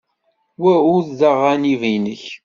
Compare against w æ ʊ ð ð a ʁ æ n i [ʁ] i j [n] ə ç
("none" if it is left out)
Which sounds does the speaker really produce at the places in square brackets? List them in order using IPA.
v, n

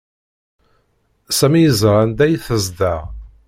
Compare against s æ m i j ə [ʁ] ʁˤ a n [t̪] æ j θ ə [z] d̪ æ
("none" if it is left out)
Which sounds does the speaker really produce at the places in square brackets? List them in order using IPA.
z, d̪, z

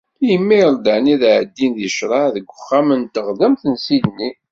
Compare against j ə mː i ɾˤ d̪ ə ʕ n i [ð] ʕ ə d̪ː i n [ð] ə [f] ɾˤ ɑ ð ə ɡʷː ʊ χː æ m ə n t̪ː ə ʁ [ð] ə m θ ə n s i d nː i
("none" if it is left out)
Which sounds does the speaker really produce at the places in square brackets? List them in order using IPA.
ð, ð, ʃ, ð

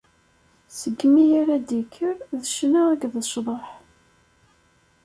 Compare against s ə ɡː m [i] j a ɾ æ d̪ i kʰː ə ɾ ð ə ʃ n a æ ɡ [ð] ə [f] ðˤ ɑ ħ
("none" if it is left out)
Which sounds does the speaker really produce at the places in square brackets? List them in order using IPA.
i, ð, ʃ

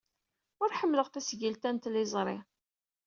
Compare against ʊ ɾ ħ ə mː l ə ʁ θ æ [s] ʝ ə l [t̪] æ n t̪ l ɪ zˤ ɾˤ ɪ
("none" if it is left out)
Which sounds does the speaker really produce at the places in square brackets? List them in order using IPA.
s, t̪

